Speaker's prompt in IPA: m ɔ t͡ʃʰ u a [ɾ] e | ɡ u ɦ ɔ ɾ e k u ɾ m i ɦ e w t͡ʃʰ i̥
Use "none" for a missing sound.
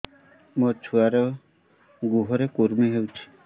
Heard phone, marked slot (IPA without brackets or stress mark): ɾ